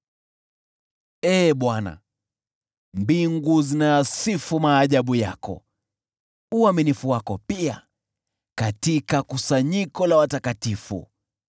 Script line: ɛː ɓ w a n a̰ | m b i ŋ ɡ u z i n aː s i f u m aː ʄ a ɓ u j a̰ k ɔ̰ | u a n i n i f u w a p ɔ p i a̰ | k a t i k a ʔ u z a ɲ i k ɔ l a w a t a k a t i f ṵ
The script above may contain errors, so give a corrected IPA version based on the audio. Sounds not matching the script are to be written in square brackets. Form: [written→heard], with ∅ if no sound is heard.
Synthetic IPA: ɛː ɓ w a n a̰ | m b i ŋ ɡ u z i n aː s i f u m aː ʄ a ɓ u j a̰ k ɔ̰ | u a [n→m] i n i f u w a [p→k] ɔ p i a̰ | k a t i k a [ʔ→k] u [z→s] a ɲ i k ɔ l a w a t a k a t i f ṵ

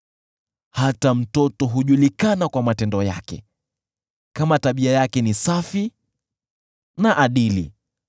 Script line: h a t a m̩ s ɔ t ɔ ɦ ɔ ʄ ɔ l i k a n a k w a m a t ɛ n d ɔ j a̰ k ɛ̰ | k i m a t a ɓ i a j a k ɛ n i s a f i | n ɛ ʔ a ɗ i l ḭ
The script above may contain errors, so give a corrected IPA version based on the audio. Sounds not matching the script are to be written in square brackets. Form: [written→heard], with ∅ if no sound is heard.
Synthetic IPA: h a t a m̩ [s→t] ɔ t ɔ ɦ [ɔ→u] ʄ [ɔ→u] l i k a n a k w a m a t ɛ n d ɔ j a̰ k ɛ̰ | k [i→a] m a t a ɓ i a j a k ɛ n i s a f i | n [ɛ→a] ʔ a ɗ i l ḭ

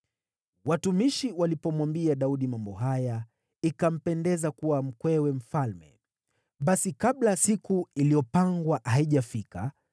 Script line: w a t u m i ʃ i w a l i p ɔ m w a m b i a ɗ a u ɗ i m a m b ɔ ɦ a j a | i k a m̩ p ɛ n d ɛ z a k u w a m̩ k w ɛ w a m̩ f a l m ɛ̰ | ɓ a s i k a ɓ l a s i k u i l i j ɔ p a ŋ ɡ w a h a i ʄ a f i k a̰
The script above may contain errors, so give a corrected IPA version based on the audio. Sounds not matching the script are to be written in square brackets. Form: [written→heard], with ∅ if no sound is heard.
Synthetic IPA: w a t u m i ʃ i w a l i p ɔ m w a m b i a ɗ a u ɗ i m a m b ɔ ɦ a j a | i k a m̩ p ɛ n d ɛ z a k u w a m̩ k w ɛ w [a→ɛ] m̩ f a l m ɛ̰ | ɓ a s i k a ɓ l a s i k u i l i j ɔ p a ŋ ɡ w a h a i ʄ a f i k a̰

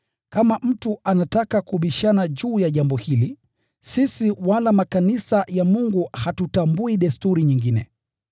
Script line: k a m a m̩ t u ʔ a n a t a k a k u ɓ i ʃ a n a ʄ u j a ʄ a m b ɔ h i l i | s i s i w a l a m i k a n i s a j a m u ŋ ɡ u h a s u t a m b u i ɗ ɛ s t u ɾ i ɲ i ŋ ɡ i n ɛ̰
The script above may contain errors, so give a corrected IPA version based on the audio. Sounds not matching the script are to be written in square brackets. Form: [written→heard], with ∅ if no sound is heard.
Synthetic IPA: k a m a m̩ t u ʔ a n a t a k a k u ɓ i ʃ a n a ʄ [u→uː] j a ʄ a m b ɔ h i l i | s i s i w a l a m [i→a] k a n i s a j a m u ŋ ɡ u h a [s→t] u t a m b u i ɗ ɛ s t u ɾ i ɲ i ŋ ɡ i n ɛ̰

